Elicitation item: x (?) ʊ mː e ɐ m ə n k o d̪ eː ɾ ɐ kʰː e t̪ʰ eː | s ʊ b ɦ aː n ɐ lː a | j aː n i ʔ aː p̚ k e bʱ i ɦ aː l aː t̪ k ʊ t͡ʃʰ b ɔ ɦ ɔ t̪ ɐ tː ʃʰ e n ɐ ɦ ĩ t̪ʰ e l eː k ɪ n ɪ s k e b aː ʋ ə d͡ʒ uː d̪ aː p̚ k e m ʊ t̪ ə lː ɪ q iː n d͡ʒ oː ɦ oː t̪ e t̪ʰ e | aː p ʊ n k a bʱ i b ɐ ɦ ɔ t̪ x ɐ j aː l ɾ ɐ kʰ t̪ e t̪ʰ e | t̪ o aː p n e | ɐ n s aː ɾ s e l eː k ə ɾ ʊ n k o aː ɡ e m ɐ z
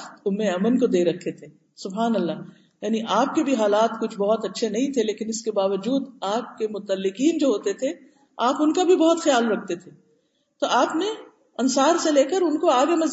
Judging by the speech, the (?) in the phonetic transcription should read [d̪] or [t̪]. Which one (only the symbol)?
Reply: t̪